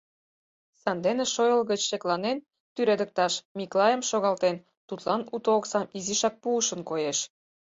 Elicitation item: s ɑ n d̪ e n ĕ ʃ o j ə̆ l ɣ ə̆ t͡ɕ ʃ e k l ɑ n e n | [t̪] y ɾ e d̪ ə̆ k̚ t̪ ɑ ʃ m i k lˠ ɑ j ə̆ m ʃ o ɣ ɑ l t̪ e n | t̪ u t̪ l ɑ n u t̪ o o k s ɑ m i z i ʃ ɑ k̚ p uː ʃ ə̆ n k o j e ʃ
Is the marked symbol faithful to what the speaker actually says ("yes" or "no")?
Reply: yes